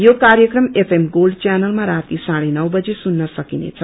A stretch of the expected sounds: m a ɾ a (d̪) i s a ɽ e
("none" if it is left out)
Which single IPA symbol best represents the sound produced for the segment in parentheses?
t̪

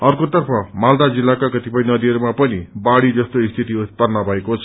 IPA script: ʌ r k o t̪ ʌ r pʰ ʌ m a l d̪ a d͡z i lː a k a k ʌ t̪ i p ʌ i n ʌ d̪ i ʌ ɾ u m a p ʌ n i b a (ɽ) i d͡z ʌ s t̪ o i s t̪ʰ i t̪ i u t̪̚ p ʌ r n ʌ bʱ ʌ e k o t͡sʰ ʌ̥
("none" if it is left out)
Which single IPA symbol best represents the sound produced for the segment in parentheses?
ɽ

